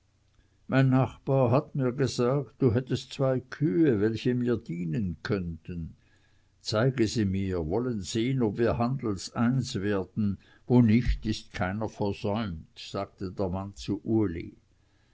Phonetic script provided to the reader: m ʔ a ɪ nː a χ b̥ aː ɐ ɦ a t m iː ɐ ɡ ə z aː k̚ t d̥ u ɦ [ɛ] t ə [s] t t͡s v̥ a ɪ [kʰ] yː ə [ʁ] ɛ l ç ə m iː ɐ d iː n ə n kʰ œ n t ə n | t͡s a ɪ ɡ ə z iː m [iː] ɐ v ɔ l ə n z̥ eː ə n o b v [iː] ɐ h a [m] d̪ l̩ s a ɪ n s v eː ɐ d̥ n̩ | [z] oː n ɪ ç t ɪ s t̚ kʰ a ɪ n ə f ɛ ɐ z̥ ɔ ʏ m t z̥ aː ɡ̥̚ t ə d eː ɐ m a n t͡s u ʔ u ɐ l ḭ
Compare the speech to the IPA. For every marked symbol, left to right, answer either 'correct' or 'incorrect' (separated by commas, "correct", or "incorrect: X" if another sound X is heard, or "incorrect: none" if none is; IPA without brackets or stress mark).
correct, correct, correct, incorrect: v, correct, correct, incorrect: n, incorrect: v